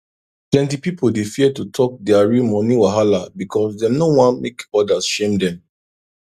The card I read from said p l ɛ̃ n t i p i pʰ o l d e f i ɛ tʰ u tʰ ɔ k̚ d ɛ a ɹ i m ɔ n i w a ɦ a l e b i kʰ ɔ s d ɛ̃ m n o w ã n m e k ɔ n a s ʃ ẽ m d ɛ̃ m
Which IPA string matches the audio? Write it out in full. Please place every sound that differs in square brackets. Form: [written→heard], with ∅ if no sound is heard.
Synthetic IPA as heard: p l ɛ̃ n t i p i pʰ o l d e f i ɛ [tʰ→t] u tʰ ɔ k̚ d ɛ a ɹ i m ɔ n i w a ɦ a l [e→a] b i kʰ ɔ s d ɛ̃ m n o w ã n m e k ɔ [n→d] a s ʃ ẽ m d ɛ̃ m